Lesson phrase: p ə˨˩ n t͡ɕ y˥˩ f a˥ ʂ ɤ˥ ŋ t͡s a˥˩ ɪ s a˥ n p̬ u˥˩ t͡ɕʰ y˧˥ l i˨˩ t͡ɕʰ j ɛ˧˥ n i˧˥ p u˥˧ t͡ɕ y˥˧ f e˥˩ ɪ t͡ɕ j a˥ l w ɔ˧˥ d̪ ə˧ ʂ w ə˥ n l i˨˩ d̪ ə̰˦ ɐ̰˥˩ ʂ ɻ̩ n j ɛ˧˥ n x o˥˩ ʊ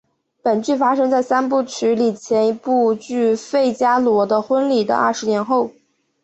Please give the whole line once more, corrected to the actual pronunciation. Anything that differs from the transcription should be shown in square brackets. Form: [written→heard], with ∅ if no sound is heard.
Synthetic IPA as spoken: p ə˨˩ n t͡ɕ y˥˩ f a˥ ʂ ɤ˥ ŋ t͡s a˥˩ ɪ s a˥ n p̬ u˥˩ t͡ɕʰ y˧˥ l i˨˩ t͡ɕʰ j ɛ˧˥ n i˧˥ p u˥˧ t͡ɕ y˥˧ f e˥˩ ɪ t͡ɕ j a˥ l w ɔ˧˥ d̪ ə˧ [ʂ→x] w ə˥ n l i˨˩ d̪ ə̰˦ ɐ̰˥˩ ʂ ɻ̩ n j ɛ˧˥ n x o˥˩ ʊ